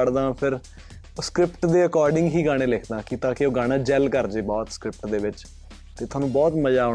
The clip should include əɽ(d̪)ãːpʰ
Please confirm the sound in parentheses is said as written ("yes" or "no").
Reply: yes